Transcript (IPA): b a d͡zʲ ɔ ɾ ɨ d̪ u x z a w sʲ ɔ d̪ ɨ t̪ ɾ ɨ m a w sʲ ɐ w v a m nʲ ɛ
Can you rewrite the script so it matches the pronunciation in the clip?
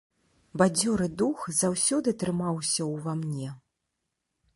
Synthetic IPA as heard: b a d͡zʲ ɔ ɾ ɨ d̪ u x z a w sʲ ɔ d̪ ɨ t̪ ɾ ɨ m a w sʲ ɐ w v a m nʲ ɛ